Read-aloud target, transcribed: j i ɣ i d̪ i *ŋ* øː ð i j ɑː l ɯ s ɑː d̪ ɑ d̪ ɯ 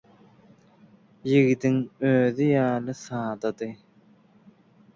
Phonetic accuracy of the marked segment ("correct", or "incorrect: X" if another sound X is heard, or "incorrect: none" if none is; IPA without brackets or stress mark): correct